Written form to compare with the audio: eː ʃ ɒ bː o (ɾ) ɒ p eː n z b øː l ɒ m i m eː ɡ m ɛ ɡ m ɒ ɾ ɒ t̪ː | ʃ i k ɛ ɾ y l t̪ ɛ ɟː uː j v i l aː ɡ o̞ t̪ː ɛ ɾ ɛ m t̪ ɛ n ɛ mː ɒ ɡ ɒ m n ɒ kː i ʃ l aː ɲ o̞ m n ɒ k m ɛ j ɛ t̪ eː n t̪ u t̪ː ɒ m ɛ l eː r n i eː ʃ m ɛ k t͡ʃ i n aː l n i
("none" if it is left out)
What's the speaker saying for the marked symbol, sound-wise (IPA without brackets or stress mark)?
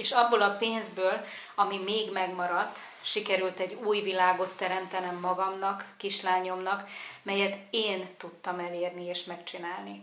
l